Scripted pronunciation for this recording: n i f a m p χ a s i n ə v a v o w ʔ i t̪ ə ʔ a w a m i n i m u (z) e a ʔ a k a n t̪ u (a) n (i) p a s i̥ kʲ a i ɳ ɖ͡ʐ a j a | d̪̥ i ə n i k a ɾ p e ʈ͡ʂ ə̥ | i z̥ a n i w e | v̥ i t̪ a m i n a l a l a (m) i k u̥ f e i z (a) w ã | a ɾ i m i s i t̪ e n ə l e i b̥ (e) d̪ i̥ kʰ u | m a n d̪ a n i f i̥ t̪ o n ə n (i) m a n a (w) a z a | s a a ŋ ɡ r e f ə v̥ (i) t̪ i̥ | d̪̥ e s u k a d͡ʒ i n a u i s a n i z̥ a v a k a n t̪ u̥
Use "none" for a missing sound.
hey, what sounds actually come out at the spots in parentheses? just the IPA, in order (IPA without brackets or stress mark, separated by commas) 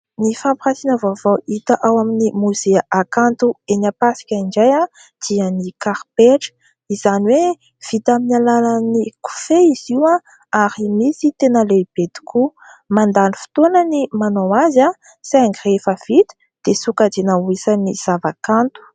z, e, a, n, i, e, i, w, i